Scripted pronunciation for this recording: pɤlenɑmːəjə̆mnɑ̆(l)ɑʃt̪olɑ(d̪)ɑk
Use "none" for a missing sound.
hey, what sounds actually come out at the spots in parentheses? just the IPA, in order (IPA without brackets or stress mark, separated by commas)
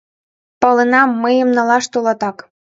l, t̪